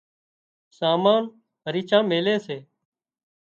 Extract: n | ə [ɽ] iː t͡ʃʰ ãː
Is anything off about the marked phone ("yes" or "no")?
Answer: yes